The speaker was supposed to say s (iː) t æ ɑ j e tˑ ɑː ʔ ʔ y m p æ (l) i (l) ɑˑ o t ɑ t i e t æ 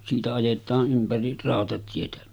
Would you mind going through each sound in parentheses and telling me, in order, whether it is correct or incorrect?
correct, incorrect: r, incorrect: r

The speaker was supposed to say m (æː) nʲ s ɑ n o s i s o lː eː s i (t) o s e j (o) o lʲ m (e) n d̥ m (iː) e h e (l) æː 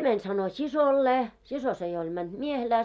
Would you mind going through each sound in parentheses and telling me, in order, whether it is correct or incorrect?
incorrect: æ, incorrect: s, correct, incorrect: æ, incorrect: i, correct

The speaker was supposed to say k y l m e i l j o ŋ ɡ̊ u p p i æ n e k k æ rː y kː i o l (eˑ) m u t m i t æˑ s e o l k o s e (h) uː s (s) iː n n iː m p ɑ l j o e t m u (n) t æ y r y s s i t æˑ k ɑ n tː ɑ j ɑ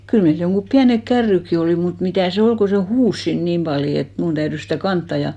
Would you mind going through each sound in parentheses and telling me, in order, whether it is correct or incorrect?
incorrect: iˑ, correct, correct, correct

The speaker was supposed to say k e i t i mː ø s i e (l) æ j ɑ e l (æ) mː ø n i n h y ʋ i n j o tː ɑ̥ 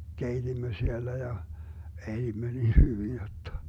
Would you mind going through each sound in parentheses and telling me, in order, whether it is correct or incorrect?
incorrect: lː, incorrect: i

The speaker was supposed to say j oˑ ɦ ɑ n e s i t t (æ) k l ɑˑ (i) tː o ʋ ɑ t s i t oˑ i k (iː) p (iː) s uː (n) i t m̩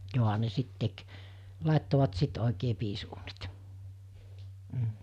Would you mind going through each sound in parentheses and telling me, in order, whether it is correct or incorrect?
incorrect: e, incorrect: e, incorrect: eː, correct, correct

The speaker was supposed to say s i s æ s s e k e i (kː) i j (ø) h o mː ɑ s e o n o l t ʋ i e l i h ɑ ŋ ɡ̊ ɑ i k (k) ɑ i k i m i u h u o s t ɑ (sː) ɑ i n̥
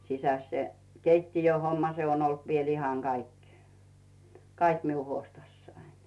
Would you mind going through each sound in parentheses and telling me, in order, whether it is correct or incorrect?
incorrect: tː, correct, correct, correct

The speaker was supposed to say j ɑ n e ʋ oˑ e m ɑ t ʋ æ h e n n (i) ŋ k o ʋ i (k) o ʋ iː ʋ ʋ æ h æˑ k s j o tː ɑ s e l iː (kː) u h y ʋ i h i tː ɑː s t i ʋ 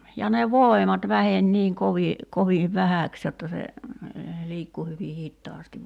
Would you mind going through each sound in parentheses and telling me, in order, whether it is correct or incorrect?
incorrect: iː, correct, correct

